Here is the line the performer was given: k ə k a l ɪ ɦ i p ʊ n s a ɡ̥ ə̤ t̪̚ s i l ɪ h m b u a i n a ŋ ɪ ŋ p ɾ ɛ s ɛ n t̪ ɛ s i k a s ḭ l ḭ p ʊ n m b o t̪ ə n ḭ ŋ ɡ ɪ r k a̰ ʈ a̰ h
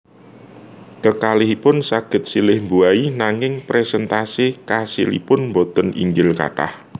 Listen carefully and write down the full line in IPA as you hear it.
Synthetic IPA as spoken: k ə k a l ɪ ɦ i p ʊ n s a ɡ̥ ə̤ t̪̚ s i l ɪ h m b u a i n a ŋ ɪ ŋ p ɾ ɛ s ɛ n t̪ a s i k a s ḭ l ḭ p ʊ n m b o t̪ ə n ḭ ŋ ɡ ɪ l k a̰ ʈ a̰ h